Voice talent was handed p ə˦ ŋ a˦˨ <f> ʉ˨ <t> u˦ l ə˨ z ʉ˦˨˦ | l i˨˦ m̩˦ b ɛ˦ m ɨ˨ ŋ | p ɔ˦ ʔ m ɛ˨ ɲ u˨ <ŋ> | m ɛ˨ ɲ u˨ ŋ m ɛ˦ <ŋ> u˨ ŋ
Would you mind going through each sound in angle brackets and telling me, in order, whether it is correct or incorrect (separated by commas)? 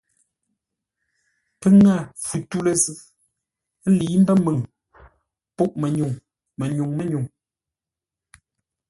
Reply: correct, correct, correct, incorrect